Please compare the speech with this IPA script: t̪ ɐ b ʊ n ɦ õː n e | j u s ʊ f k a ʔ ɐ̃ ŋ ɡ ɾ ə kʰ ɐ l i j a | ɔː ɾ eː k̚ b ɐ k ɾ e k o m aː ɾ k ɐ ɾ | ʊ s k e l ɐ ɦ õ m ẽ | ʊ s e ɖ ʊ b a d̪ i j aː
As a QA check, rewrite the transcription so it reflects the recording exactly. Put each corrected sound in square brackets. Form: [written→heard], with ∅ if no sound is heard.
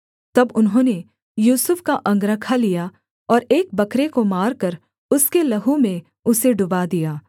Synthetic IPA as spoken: t̪ ɐ b ʊ n ɦ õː n e | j [u→uː] s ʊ f k a ʔ ɐ̃ ŋ ɡ ɾ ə kʰ [ɐ→a] l i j a | ɔː ɾ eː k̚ b ɐ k ɾ e k o m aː ɾ k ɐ ɾ | ʊ s k e l ɐ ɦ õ m ẽ | ʊ s e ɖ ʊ b a d̪ i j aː

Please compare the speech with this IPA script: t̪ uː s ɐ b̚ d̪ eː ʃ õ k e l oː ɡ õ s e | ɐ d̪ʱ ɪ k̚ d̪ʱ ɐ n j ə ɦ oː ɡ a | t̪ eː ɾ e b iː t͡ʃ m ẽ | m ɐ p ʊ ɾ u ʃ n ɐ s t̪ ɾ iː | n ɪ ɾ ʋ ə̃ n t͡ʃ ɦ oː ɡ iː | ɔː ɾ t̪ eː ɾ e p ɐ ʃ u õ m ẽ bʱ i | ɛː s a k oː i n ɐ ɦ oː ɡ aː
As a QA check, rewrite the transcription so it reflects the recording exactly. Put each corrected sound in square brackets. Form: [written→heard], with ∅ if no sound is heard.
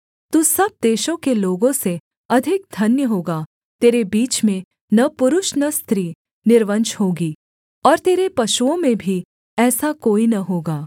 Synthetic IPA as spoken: t̪ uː s ɐ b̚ d̪ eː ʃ õ k e l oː ɡ õ s e | ɐ d̪ʱ ɪ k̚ d̪ʱ ɐ n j ə ɦ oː ɡ a | t̪ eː ɾ e b iː t͡ʃ m ẽ | [m→n] ɐ p ʊ ɾ [u→ʊ] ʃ n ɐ s t̪ ɾ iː | n ɪ ɾ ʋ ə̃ n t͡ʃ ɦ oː ɡ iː | ɔː ɾ t̪ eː ɾ e p ɐ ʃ u õ m ẽ bʱ i | ɛː s a k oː i n ɐ ɦ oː ɡ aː

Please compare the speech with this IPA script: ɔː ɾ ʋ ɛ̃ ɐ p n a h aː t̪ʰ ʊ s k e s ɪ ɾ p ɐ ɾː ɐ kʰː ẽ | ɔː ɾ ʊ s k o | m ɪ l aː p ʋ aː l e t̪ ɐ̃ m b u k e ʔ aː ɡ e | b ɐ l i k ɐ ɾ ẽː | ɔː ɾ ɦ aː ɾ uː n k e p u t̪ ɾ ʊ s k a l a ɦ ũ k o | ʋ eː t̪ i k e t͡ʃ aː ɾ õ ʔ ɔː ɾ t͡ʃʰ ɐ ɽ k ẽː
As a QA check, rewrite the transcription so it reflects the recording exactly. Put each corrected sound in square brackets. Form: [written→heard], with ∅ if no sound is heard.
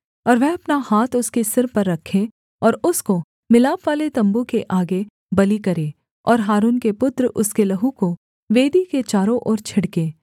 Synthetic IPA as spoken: ɔː ɾ ʋ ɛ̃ ɐ p n a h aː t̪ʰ ʊ s k e s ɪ ɾ p ɐ ɾː ɐ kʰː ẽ | ɔː ɾ ʊ s k o | m ɪ l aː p ʋ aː l e t̪ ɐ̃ m b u k e ʔ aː ɡ e | b ɐ l i k ɐ ɾ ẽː | ɔː ɾ ɦ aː ɾ uː n k e p [u→ʊ] t̪ ɾ ʊ s k [a→e] l [a→ɐ] ɦ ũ k o | ʋ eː [t̪→d̪] i k e t͡ʃ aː ɾ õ ʔ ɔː ɾ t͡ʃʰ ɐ ɽ k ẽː

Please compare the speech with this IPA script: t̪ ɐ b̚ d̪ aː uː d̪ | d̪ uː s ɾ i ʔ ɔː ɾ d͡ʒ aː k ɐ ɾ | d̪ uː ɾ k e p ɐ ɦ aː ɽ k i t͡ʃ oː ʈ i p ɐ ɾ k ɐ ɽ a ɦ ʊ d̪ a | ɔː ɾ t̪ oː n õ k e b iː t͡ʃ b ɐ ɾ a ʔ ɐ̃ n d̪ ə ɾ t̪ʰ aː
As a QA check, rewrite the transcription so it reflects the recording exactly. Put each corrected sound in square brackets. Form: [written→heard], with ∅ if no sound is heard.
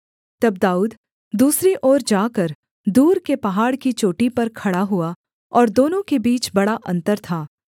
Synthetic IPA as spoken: t̪ ɐ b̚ d̪ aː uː d̪ | d̪ uː s ɾ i ʔ ɔː ɾ d͡ʒ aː k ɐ ɾ | d̪ uː ɾ k e p ɐ ɦ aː ɽ k i t͡ʃ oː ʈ i p ɐ ɾ [k→kʰ] ɐ ɽ a ɦ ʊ [d̪→∅] a | ɔː ɾ [t̪→d̪] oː n õ k e b iː t͡ʃ b ɐ [ɾ→ɽ] a ʔ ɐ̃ n [d̪→t̪] ə ɾ t̪ʰ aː

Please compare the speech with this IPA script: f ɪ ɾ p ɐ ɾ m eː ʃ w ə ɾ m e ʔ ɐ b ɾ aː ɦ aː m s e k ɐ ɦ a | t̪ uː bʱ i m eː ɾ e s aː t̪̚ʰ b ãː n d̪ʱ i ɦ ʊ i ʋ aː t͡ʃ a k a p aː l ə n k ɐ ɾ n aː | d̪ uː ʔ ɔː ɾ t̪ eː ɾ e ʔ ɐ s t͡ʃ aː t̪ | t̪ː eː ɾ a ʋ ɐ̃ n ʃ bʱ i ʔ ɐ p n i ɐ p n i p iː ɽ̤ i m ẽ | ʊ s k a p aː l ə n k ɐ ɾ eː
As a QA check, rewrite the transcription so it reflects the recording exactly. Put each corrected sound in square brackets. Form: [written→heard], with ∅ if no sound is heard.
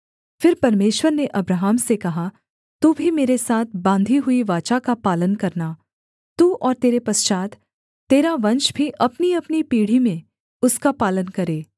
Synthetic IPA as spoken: f ɪ ɾ p ɐ ɾ m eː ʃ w ə ɾ [m→n] e ʔ ɐ b ɾ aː ɦ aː m s e k ɐ ɦ a | t̪ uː bʱ i m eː ɾ e s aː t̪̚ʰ b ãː n d̪ʱ i ɦ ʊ i ʋ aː t͡ʃ a k a p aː l ə n k ɐ ɾ n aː | [d̪→t̪] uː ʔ ɔː ɾ t̪ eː ɾ e [ʔ→p] ɐ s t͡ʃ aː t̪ | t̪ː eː ɾ a ʋ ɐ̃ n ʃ bʱ i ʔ ɐ p n i ɐ p n i p iː ɽ̤ i m ẽ | ʊ s k a p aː l ə n k ɐ ɾ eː

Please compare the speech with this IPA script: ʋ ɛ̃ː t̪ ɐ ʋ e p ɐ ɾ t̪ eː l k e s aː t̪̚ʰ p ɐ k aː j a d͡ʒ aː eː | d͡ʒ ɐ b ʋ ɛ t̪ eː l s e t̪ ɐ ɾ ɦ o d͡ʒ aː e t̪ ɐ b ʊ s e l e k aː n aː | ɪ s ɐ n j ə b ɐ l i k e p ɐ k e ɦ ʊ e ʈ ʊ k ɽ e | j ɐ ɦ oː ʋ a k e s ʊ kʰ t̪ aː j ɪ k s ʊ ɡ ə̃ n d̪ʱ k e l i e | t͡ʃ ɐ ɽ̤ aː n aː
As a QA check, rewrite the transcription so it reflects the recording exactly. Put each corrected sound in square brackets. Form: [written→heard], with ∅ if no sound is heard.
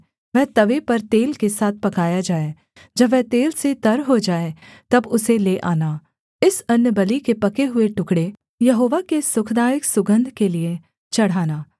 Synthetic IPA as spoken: ʋ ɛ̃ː t̪ ɐ ʋ e p ɐ ɾ t̪ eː l k e s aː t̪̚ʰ p ɐ k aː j a d͡ʒ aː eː | d͡ʒ ɐ b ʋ ɛ t̪ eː l s e t̪ ɐ ɾ ɦ o d͡ʒ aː e t̪ ɐ b ʊ s e l e [k→ʔ] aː n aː | ɪ s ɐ n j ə b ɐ l i k e p ɐ k e ɦ ʊ e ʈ ʊ k ɽ e | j ɐ ɦ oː ʋ a k e s ʊ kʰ [t̪→d̪] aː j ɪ k s ʊ ɡ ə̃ n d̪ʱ k e l i e | t͡ʃ ɐ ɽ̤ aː n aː

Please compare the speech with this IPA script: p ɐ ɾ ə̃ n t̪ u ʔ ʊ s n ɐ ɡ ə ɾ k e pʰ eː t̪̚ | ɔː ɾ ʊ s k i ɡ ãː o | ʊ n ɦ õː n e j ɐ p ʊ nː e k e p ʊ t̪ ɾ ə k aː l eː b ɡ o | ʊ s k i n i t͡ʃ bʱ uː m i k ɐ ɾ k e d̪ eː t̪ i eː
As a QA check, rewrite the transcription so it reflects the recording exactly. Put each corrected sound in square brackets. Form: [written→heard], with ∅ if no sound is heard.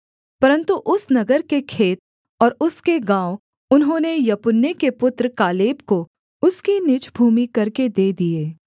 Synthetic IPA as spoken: p ɐ ɾ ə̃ n t̪ u ʔ ʊ s n ɐ ɡ ə ɾ k e [pʰ→kʰ] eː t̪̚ | ɔː ɾ ʊ s k [i→e] ɡ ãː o | ʊ n ɦ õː n e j ɐ p ʊ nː e k e p ʊ t̪ ɾ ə k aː l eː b [ɡ→k] o | ʊ s k i n [i→ɪ] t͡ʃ bʱ uː m i k ɐ ɾ k e d̪ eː [t̪→d̪] i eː

